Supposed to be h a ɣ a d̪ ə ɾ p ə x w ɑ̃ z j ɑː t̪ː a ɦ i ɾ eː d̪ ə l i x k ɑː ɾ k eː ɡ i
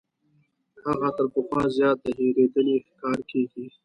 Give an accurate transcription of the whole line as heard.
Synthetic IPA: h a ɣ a t̪ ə ɾ p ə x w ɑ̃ z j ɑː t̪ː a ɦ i ɾ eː d̪ ə l i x k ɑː ɾ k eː ɡ i

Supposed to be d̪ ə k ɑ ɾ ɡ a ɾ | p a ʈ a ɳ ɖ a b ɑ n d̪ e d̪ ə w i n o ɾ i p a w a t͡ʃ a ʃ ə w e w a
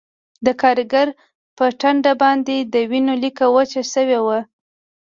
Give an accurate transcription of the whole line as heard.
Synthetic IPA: d̪ ə k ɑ ɾ ɡ a ɾ | p ə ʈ a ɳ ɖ a b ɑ n d̪ e d̪ ə w i n o l i k a w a t͡ʃ a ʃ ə w e w a

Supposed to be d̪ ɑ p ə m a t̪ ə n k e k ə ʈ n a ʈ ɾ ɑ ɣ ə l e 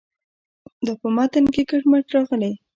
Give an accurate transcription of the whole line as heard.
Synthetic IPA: d̪ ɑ p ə m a t̪ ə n k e k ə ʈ m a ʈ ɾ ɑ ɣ ə l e

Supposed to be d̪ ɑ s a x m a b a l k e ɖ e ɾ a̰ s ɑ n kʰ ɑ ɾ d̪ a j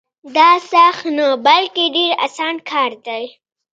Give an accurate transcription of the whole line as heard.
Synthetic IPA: d̪ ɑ s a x n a b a l k e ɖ e ɾ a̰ s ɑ n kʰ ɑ ɾ d̪ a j

